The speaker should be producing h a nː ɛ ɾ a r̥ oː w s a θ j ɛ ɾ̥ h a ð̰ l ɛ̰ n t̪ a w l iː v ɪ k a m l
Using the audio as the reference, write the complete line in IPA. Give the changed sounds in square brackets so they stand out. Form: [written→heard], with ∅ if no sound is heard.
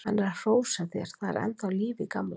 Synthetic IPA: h a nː ɛ ɾ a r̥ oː w s a θ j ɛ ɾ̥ [h→θ] a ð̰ [l→ɾ] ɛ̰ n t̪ a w l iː v ɪ k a m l